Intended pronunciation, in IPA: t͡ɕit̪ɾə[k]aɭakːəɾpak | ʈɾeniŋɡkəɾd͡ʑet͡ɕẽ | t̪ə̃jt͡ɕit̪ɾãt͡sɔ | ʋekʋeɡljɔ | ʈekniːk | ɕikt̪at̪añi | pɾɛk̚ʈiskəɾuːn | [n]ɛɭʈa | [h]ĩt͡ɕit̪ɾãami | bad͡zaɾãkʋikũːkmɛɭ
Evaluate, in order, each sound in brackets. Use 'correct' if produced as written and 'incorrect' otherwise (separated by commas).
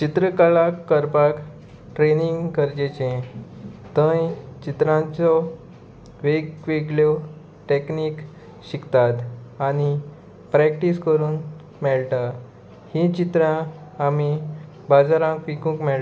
correct, incorrect, correct